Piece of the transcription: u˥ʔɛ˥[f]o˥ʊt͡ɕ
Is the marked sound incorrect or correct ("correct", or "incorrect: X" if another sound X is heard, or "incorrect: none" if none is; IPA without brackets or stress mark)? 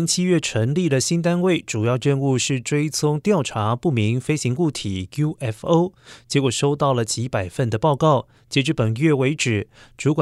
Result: correct